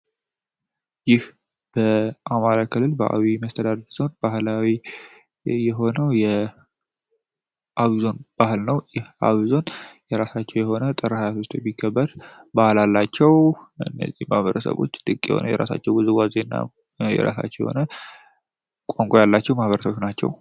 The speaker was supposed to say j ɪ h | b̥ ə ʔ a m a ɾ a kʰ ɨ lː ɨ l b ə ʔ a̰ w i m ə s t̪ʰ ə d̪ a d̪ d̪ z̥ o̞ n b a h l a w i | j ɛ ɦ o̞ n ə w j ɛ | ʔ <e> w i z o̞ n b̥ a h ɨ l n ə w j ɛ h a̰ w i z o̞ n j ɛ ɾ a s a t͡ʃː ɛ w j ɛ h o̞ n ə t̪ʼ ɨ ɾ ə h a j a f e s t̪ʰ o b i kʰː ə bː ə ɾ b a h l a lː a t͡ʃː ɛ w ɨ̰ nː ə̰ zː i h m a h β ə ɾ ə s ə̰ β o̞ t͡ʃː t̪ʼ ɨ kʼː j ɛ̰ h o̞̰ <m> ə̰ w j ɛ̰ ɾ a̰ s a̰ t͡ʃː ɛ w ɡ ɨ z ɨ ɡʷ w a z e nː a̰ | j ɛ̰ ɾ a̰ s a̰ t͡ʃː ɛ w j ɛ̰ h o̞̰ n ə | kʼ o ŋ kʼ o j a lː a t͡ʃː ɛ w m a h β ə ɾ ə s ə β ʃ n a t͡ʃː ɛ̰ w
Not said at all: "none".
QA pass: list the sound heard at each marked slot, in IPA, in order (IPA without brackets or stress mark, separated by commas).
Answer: a, n